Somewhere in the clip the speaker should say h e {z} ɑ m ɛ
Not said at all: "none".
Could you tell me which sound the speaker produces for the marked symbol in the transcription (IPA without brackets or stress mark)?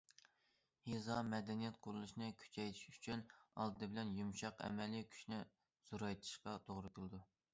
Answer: z